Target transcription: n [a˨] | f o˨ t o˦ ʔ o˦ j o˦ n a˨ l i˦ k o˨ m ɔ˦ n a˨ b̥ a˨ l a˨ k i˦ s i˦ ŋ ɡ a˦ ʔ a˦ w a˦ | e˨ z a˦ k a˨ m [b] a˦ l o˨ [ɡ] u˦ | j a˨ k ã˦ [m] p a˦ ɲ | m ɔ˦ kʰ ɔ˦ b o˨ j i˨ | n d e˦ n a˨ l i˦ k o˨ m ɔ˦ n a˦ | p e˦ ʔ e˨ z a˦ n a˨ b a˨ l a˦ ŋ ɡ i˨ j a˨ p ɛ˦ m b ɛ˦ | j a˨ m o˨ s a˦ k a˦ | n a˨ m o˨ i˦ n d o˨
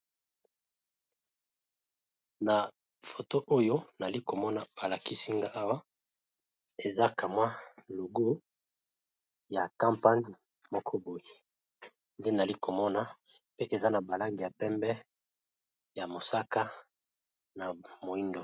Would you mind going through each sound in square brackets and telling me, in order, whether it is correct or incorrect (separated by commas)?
correct, incorrect, correct, correct